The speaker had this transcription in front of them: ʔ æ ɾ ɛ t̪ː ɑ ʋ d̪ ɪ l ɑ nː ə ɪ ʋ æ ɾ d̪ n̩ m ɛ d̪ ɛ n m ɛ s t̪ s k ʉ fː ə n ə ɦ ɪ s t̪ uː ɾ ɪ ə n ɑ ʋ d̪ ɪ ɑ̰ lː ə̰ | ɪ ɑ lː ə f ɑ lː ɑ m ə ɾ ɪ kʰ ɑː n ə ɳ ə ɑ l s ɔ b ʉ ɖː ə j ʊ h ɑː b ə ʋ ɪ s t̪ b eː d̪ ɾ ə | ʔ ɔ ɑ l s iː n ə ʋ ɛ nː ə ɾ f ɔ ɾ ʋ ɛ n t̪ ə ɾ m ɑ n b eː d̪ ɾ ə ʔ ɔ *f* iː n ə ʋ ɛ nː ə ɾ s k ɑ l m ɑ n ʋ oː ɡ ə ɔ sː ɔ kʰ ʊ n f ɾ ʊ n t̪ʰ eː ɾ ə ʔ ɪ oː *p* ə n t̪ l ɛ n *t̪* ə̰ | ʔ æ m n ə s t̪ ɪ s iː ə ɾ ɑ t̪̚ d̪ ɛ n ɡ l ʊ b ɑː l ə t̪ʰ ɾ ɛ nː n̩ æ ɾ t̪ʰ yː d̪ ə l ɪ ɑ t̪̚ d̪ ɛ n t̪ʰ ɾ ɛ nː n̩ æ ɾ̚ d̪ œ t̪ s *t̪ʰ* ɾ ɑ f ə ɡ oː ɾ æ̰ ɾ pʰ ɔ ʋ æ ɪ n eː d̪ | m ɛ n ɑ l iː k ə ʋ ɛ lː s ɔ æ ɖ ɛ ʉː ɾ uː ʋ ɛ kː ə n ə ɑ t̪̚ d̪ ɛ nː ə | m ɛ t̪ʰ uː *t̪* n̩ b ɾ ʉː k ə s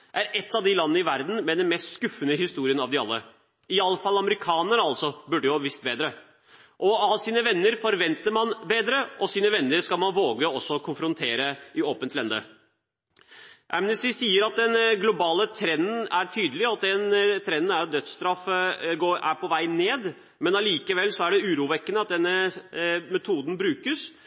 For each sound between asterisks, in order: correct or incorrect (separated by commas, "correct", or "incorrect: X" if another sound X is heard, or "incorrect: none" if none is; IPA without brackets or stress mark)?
incorrect: s, correct, incorrect: d̪, incorrect: t̪, incorrect: d̪